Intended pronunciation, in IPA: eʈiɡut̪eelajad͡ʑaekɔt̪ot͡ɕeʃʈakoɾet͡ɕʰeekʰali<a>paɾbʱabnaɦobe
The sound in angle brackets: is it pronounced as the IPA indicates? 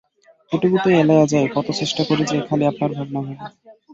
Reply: yes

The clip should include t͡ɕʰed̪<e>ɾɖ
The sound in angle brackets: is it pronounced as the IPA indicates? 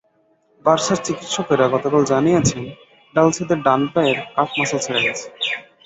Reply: yes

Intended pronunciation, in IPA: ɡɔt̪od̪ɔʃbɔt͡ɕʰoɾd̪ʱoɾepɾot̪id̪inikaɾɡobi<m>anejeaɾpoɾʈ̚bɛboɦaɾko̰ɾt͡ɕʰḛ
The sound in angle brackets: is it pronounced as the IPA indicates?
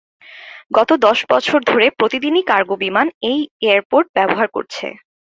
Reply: yes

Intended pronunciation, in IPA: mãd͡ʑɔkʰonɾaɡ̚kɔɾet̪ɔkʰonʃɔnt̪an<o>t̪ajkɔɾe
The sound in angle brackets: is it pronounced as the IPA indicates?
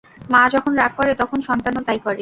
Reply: yes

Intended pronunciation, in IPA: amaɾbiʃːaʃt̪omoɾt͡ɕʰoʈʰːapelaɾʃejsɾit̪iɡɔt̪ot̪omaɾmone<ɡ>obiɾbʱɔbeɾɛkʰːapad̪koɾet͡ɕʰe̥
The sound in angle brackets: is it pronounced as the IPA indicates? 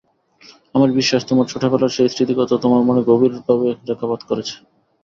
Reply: yes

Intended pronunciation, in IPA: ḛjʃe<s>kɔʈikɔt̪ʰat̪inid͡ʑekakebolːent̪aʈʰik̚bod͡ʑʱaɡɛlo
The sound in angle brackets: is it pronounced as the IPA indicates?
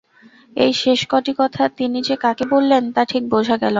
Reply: no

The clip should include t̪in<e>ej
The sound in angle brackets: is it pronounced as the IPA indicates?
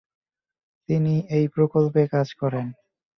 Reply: no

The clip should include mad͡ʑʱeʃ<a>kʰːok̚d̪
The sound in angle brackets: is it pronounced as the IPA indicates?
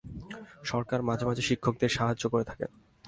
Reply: no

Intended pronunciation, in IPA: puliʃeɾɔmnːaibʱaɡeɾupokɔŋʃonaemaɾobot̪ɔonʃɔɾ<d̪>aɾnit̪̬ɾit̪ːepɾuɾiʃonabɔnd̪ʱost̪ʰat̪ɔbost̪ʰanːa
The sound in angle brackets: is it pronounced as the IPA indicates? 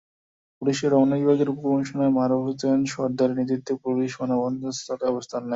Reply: yes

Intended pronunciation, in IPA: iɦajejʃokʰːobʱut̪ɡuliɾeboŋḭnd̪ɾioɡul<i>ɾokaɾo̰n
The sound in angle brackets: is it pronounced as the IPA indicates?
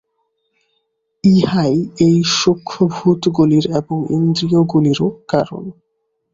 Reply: yes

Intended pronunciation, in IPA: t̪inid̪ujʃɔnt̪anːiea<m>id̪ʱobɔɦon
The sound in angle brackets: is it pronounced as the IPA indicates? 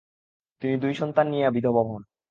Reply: no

